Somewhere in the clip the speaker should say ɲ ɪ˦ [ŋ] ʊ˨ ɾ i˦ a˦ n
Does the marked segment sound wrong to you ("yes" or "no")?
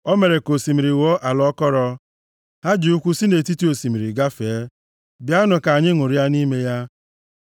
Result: no